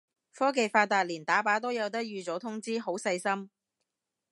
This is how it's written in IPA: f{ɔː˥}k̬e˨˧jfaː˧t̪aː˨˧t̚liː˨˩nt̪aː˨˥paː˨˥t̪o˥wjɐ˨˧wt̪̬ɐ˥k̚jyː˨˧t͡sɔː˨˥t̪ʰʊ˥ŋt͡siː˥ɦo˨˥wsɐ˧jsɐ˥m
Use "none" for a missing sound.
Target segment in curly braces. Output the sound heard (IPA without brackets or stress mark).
ɔː˥